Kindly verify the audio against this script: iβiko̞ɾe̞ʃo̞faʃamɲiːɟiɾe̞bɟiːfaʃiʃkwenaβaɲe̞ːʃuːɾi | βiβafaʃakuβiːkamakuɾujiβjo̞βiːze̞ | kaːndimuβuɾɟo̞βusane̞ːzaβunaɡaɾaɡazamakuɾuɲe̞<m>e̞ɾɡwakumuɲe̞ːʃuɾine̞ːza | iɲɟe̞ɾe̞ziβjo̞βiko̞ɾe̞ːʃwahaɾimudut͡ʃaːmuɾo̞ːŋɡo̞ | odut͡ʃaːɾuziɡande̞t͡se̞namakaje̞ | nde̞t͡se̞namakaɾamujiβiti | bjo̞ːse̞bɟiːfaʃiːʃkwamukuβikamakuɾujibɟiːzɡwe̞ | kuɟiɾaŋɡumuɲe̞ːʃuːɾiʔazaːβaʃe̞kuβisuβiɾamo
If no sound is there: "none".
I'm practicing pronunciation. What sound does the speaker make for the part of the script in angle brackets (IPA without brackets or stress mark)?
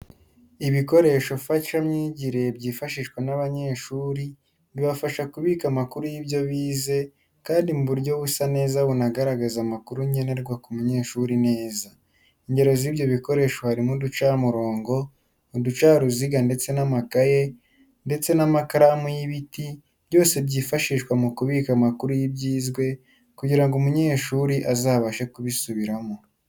n